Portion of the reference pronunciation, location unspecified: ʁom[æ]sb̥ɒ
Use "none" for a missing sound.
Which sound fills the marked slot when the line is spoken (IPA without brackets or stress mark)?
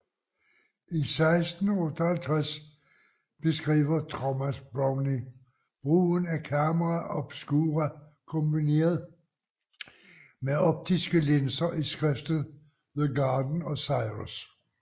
æ